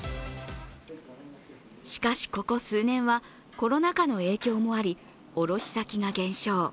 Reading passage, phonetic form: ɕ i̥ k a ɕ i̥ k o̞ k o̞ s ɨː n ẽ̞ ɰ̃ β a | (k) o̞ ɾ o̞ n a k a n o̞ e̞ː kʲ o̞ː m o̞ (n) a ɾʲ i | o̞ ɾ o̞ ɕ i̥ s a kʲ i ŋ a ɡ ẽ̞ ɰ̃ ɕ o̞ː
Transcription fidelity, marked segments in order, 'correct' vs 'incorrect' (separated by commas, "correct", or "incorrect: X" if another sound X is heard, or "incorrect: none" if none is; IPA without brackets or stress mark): correct, incorrect: none